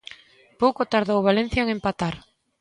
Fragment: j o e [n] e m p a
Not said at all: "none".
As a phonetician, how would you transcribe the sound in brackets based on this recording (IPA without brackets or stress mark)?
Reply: ŋ